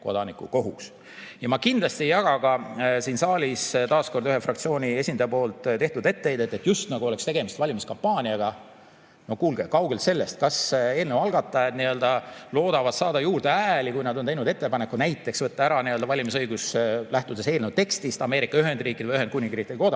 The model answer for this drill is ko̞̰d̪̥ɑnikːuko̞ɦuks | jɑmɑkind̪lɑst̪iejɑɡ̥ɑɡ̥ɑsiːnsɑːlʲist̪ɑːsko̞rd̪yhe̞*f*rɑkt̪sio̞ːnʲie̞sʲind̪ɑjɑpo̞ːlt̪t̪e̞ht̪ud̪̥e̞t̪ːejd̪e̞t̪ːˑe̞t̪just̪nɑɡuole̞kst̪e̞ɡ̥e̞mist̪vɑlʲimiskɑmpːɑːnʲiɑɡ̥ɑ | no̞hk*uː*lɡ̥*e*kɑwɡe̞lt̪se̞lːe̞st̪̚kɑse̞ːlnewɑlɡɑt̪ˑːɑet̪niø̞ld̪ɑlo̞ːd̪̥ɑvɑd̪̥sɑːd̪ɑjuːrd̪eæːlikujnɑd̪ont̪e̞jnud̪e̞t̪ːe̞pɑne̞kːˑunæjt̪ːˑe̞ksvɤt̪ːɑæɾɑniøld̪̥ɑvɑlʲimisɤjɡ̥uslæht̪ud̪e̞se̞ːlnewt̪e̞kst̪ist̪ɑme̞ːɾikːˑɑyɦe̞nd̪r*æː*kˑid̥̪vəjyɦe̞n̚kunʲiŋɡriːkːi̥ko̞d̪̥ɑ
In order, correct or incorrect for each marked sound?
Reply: correct, correct, correct, incorrect: iː

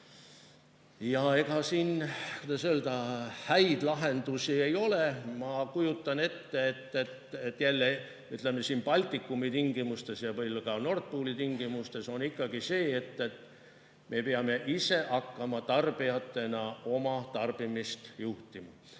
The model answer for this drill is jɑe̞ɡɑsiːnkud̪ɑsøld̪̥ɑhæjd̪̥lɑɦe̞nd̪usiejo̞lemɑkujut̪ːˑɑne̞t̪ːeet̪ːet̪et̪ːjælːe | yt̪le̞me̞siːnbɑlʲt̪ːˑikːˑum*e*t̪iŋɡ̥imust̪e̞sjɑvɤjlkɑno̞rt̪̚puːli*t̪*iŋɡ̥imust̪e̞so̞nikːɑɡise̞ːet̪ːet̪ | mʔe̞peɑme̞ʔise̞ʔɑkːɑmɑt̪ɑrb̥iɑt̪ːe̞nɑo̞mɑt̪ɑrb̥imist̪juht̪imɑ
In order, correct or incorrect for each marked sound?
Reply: incorrect: i, correct

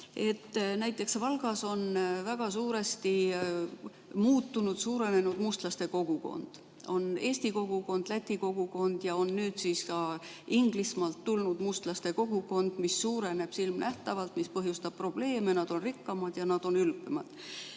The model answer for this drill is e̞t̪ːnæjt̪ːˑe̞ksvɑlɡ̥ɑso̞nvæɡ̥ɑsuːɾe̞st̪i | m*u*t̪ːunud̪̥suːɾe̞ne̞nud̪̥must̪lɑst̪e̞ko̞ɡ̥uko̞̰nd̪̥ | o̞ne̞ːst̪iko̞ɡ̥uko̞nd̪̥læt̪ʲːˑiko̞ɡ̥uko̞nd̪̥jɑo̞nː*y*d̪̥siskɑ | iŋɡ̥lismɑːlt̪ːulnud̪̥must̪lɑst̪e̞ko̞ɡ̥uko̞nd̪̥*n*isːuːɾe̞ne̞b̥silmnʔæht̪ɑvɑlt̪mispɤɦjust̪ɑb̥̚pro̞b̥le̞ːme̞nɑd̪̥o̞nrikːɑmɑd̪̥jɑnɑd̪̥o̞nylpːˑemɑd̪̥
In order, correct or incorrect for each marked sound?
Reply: incorrect: uː, incorrect: yː, incorrect: m

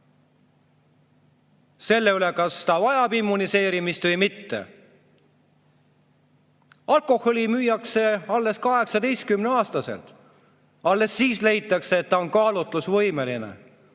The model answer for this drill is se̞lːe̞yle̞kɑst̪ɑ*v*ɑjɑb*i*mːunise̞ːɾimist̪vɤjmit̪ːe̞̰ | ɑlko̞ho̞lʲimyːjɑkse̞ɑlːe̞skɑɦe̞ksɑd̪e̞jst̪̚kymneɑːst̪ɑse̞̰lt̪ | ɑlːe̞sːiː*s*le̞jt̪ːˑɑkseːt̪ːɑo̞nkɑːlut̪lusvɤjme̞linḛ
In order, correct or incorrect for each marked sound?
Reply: correct, correct, correct

